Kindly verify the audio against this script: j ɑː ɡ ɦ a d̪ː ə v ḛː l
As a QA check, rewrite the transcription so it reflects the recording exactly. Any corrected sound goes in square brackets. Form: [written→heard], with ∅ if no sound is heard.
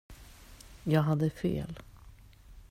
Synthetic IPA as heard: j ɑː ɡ ɦ a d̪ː ə [v→f] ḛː l